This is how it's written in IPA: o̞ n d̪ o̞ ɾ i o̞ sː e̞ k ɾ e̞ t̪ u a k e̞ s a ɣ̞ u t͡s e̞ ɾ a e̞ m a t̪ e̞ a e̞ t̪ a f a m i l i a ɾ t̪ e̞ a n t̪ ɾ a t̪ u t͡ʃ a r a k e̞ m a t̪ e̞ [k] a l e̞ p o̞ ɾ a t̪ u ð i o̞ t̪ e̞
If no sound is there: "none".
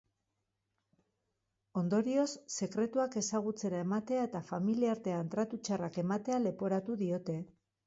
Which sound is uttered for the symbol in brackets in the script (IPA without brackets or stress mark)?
none